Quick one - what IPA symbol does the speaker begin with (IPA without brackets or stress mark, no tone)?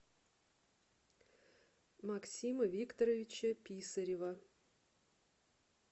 m